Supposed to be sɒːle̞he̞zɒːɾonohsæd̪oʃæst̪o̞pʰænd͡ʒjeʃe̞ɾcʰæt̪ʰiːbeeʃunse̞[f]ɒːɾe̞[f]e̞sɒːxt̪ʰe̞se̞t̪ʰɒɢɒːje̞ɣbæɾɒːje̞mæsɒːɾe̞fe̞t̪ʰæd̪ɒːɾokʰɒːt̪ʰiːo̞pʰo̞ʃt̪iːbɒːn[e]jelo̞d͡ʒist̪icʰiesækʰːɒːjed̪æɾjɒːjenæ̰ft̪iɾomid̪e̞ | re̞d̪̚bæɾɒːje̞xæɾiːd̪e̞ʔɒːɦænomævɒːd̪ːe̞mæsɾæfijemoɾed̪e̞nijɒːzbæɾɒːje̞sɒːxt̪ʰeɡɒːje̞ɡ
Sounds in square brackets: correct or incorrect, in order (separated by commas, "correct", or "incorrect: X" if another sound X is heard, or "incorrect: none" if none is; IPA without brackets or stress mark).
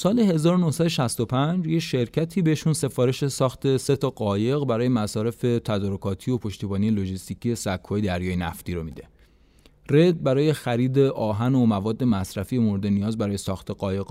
correct, incorrect: ʃ, incorrect: i